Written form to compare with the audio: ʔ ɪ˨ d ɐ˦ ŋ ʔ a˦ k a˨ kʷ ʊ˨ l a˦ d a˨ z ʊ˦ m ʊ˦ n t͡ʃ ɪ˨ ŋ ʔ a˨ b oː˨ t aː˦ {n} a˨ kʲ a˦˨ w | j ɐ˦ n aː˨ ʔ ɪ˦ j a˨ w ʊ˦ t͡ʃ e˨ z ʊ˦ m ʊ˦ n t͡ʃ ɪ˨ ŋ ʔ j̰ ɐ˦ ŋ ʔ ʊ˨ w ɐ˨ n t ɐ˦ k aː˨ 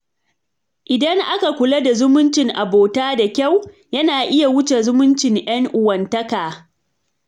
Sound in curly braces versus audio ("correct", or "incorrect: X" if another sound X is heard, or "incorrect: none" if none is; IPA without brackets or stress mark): incorrect: d